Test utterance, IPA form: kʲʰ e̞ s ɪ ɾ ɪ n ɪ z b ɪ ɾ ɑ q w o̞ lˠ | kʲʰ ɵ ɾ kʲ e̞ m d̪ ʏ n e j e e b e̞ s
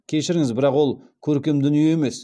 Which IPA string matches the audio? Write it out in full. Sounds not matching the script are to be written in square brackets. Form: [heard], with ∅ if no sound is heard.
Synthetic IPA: kʲʰ e̞ [ʃ] ɪ ɾ ɪ [ŋ] ɪ z b ɪ ɾ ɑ q w o̞ lˠ | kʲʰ ɵ ɾ kʲ e̞ m d̪ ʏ n [i] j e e [m] e̞ s